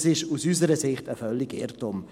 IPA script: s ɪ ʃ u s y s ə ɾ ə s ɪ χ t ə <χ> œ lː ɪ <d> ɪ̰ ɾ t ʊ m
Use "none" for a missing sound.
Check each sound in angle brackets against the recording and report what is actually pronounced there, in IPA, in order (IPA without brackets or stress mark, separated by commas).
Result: f, ɡ